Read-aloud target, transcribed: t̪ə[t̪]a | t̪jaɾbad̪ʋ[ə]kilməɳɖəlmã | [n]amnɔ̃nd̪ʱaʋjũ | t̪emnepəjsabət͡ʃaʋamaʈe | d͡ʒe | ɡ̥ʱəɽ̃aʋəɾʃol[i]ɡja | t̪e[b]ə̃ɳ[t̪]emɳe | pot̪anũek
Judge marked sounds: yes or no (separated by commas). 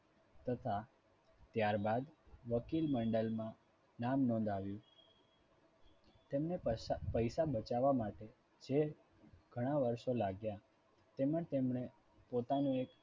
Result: no, yes, yes, no, no, yes